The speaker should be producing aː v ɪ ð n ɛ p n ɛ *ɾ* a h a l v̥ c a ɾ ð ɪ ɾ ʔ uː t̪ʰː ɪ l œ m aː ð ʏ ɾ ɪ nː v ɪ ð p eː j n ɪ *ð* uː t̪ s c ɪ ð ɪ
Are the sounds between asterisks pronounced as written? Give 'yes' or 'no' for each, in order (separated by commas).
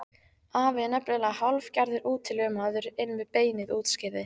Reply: no, yes